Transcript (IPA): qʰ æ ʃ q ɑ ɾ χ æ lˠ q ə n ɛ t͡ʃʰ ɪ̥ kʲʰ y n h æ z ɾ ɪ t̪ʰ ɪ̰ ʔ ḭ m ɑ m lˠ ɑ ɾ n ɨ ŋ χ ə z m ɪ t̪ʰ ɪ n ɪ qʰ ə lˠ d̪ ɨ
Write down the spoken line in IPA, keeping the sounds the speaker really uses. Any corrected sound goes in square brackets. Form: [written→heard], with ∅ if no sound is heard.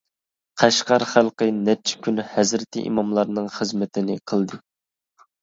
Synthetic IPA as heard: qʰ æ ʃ q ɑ ɾ χ æ lˠ q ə n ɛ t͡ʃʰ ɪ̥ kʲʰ y n h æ z ɾ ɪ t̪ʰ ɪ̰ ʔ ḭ m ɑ m lˠ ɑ ɾ n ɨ ŋ χ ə z m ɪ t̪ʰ ɪ n ɪ qʰ ə lˠ d̪ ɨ